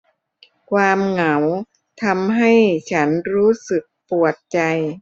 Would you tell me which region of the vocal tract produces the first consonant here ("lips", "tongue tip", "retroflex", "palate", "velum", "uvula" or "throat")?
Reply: velum